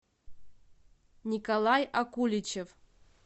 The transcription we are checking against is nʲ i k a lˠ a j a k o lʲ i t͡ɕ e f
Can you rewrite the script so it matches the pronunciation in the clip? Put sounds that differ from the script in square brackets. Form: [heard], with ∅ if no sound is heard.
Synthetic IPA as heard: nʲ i k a lˠ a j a k [u] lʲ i t͡ɕ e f